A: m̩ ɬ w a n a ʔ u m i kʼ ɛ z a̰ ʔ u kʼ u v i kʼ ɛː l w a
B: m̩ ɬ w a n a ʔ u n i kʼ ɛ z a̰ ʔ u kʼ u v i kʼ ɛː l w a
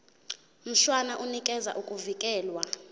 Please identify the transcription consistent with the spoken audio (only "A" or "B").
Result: B